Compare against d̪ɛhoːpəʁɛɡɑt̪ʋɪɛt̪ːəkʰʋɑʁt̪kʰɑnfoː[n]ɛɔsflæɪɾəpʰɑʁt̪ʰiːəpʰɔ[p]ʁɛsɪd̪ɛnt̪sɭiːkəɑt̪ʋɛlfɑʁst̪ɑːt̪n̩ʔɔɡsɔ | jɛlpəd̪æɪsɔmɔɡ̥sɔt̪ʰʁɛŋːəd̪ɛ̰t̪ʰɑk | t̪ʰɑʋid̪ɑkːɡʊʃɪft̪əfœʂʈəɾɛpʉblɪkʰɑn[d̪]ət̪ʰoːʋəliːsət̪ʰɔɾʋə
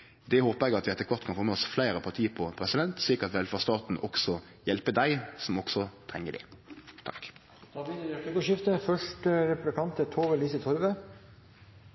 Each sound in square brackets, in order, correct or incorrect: incorrect: m, incorrect: pʰ, incorrect: t̪

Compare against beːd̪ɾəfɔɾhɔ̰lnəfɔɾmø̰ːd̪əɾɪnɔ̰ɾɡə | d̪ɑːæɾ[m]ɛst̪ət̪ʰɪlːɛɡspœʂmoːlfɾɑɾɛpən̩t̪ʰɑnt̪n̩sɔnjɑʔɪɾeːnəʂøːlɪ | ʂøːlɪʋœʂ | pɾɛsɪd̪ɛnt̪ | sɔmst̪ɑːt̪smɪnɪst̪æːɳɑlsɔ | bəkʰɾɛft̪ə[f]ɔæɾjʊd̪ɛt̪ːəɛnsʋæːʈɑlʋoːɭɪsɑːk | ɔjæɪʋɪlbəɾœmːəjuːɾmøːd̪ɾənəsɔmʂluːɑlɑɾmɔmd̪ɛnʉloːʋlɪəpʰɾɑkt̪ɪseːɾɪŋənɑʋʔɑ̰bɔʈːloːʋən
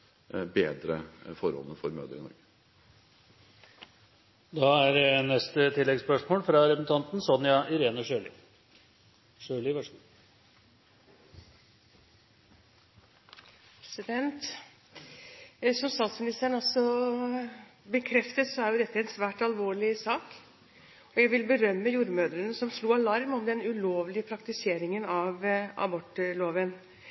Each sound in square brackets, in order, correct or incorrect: incorrect: n, incorrect: s

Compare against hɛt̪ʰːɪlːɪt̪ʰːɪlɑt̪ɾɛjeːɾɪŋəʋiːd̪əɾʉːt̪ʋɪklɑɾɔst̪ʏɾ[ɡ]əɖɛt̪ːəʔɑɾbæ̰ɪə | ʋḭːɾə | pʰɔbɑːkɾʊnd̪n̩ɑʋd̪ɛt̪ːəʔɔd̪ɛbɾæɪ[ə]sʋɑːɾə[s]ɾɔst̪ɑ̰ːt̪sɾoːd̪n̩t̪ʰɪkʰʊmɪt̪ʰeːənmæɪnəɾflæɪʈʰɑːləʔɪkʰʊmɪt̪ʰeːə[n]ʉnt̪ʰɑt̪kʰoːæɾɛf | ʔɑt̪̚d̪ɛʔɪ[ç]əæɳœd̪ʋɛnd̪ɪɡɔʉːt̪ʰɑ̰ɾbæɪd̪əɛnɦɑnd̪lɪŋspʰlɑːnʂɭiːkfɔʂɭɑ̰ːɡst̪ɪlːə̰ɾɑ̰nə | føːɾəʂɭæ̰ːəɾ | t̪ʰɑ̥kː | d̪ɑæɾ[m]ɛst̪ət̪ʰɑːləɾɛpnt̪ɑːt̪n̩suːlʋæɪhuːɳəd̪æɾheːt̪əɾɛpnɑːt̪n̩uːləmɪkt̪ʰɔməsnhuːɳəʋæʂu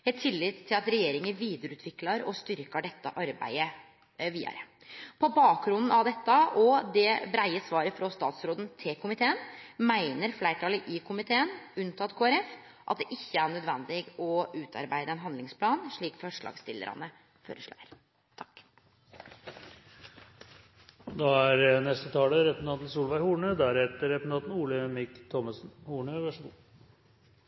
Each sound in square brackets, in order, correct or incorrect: incorrect: k, correct, incorrect: f, correct, incorrect: çː, incorrect: n

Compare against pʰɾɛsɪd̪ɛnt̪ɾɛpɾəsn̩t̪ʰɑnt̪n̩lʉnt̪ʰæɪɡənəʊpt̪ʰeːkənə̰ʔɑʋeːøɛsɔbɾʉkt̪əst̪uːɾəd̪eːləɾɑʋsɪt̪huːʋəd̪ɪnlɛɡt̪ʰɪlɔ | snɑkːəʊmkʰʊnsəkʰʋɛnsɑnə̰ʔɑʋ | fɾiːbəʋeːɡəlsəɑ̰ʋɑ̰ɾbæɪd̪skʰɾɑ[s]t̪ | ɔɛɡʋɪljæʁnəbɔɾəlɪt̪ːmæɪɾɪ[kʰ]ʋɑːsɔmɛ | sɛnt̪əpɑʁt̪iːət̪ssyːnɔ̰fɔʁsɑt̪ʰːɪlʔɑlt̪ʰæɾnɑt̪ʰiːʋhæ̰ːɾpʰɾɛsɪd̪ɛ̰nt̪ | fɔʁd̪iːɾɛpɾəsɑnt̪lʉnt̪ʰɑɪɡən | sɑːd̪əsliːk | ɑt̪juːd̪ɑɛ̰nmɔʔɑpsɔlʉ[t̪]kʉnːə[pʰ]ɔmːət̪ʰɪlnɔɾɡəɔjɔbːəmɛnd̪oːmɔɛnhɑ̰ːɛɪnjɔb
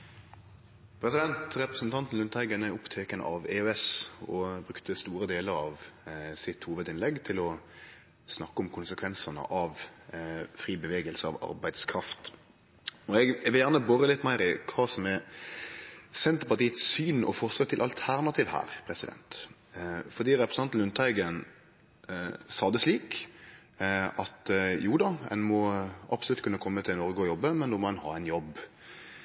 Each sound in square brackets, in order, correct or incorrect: incorrect: f, correct, correct, incorrect: kʰ

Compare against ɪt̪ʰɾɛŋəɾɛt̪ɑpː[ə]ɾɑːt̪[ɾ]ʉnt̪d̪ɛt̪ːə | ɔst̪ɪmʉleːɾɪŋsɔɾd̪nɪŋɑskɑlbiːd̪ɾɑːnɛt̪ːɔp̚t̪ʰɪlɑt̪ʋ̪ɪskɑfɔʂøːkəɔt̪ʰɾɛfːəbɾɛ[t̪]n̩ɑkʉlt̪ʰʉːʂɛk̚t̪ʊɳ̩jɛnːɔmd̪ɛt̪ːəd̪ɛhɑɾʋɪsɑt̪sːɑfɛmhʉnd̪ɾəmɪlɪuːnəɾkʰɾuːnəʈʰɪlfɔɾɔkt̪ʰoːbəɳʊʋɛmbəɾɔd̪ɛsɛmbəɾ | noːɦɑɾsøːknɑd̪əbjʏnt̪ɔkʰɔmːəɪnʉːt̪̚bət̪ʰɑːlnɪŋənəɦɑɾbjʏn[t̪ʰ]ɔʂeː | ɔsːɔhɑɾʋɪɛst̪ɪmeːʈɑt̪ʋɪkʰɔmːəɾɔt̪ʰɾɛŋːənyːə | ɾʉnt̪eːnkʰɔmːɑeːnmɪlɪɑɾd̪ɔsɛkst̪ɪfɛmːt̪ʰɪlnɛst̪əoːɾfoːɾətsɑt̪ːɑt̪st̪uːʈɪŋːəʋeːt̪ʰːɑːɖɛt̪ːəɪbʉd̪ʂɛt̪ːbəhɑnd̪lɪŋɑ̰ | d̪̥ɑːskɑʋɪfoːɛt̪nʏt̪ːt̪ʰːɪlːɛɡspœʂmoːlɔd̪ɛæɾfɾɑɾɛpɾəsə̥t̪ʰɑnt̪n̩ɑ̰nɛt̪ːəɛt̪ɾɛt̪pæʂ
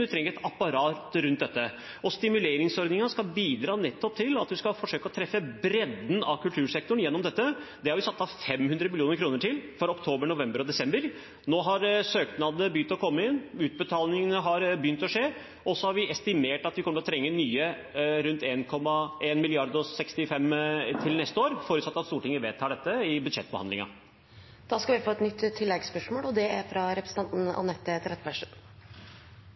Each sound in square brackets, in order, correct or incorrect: incorrect: ɑ, correct, incorrect: d̪, incorrect: t̪

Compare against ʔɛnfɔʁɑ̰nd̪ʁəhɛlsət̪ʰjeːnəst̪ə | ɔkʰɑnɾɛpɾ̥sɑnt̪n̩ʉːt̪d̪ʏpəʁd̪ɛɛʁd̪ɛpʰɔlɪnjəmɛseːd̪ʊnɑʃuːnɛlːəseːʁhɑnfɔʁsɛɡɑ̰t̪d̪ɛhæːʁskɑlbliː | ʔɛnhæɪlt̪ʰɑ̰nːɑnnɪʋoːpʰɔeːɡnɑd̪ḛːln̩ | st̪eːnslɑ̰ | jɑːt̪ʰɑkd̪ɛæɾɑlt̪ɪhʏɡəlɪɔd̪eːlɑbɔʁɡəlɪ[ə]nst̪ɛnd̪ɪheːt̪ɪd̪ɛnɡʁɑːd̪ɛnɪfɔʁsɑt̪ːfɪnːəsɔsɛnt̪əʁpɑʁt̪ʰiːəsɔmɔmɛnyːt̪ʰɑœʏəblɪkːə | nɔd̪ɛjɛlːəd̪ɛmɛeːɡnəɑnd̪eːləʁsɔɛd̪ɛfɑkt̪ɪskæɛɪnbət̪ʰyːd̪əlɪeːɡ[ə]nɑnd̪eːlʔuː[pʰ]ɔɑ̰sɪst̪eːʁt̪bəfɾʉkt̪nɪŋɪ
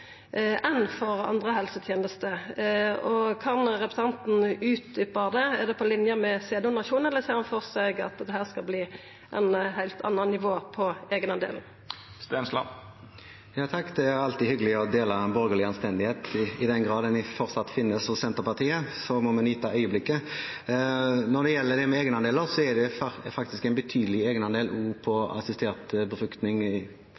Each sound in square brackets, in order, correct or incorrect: incorrect: ɑ, correct, correct

